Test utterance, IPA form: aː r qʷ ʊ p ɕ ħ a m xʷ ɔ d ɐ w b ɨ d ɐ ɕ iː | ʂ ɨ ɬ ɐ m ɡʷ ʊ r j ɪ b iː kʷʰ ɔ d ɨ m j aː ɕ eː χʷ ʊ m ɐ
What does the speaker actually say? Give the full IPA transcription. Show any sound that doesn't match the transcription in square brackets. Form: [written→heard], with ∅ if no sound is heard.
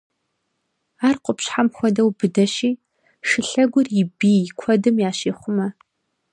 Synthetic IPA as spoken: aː r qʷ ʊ p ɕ ħ a m xʷ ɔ d ɐ w b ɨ d ɐ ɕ iː | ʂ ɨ ɬ ɐ [m→∅] ɡʷ ʊ r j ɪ b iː kʷʰ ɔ d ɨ m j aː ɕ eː χʷ ʊ m ɐ